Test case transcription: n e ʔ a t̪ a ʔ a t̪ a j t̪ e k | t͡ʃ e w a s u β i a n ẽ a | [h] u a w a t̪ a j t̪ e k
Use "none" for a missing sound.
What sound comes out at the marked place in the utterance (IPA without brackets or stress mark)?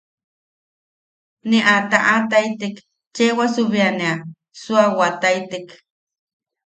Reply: s